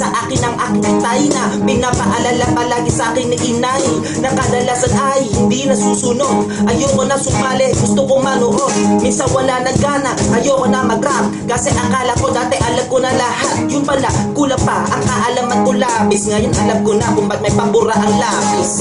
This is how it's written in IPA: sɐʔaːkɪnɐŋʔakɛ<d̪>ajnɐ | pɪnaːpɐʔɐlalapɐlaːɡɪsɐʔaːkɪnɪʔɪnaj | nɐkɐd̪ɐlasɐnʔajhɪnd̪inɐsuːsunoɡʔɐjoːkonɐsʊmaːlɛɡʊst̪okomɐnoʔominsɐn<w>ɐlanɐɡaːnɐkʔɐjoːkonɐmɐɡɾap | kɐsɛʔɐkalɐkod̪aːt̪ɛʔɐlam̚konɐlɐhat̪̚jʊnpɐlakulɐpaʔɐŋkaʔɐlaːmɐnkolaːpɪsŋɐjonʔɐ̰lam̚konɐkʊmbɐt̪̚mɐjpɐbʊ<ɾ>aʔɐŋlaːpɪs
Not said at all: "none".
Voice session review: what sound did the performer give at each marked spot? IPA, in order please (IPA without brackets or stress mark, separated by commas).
t̪, w, ɾ